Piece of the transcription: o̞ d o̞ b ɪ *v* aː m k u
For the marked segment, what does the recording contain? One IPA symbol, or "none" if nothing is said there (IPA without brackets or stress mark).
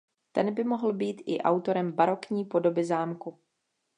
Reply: z